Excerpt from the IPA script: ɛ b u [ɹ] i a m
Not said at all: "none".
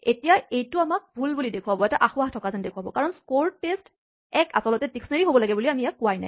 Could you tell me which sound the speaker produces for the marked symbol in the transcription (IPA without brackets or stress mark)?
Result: l